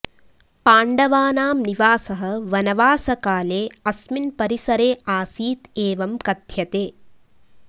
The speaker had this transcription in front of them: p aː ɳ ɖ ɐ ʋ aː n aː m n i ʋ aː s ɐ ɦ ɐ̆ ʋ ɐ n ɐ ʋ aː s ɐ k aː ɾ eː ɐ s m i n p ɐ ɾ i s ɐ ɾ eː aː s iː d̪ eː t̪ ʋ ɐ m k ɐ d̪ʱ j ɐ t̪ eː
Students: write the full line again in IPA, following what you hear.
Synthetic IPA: p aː ɳ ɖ ɐ ʋ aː n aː m n i ʋ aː s ɐ ɦ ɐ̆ ʋ ɐ n ɐ ʋ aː s ɐ k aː l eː ɐ s m i n p ɐ ɾ i s ɐ ɾ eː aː s iː t̪ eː ʋ ɐ m k ɐ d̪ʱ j ɐ t̪ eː

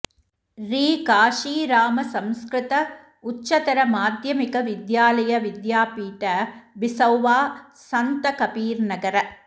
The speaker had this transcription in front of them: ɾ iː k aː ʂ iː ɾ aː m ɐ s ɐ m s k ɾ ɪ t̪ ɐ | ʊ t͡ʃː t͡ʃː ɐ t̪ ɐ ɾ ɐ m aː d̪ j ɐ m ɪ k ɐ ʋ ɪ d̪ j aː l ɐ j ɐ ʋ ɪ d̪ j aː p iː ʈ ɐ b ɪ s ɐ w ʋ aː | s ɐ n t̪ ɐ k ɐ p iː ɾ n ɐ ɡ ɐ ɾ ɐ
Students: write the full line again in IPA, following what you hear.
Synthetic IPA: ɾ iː k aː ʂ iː ɾ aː m ɐ s ɐ m s k ɾ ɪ t̪ ɐ | ʊ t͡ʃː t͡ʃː ɐ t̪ ɐ ɾ ɐ m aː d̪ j ɐ m ɪ k ɐ ʋ ɪ d̪ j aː l ɐ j ɐ ʋ ɪ d̪ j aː p iː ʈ ɐ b ɪ s ɐ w ʋ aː | s ɐ n t̪ ɐ k ɐ p iː ɾ n ɐ ɡ ɐ ɾ ɐ

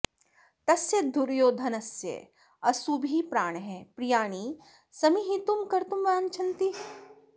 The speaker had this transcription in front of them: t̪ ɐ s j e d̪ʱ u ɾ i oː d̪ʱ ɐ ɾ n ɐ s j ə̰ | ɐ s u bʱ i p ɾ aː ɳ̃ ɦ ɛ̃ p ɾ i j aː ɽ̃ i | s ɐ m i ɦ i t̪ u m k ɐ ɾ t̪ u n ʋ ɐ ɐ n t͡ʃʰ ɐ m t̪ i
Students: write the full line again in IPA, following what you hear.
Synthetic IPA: t̪ ɐ s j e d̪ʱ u ɾ j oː d̪ʱ ɐ n ɐ s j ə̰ | ɐ s u bʱ i p ɾ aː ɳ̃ ɦ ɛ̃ p ɾ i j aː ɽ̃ i | s ɐ m i ɦ i t̪ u m k ɐ ɾ t̪ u m ʋ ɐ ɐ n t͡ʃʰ ɐ n t̪ i

